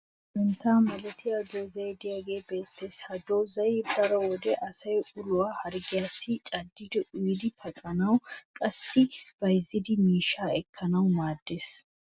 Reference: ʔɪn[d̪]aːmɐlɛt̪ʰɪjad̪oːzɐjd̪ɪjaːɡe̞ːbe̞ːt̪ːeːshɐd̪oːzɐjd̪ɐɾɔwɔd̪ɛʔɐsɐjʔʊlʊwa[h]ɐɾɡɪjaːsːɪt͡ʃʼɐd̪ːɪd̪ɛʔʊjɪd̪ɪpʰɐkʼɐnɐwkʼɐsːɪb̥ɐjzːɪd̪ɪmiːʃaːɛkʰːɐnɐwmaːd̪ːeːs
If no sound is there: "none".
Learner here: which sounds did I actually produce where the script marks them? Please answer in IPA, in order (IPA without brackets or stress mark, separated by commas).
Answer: t̪, h